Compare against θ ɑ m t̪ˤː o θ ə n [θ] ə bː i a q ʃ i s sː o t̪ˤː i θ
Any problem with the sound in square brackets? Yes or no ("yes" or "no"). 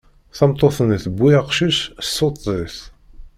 no